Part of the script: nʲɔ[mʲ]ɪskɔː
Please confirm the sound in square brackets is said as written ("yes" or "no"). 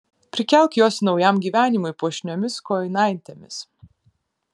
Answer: yes